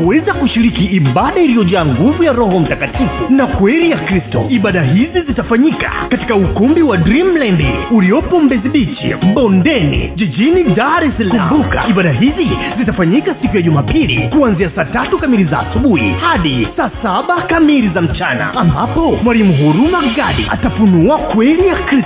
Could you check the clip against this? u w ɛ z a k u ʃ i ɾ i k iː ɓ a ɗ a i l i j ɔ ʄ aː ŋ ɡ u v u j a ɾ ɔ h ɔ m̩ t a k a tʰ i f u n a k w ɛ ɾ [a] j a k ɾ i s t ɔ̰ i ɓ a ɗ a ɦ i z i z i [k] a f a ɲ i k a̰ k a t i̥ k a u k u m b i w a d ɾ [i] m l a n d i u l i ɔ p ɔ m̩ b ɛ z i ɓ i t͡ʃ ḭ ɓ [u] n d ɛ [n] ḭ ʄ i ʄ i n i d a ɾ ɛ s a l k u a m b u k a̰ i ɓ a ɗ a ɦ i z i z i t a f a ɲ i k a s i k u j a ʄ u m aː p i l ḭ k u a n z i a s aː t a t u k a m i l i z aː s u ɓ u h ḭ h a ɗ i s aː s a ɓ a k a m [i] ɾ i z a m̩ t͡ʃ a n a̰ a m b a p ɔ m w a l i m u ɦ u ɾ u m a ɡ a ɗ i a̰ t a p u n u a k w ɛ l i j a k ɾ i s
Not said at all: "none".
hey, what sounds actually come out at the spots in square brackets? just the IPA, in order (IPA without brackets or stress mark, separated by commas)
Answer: i, t, i, ɔ, n, i